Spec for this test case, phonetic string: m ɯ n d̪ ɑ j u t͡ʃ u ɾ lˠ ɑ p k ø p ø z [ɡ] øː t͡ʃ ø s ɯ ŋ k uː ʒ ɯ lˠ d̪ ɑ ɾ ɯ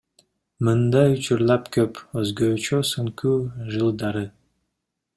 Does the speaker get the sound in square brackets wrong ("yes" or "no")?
no